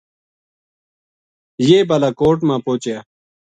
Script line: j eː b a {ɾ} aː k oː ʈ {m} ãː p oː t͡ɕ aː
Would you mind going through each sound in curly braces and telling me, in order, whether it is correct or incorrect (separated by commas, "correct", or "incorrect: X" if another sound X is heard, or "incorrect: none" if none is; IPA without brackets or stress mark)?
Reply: incorrect: l, correct